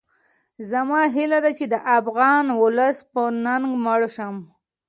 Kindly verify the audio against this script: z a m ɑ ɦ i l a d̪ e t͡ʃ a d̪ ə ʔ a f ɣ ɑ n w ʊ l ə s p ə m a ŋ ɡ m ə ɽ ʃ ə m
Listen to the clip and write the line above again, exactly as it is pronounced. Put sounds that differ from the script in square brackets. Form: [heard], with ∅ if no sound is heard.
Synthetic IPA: z a m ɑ ɦ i l a d̪ [a] t͡ʃ [e] d̪ ə ʔ a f ɣ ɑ n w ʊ l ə s p ə [n] a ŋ ɡ m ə ɽ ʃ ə m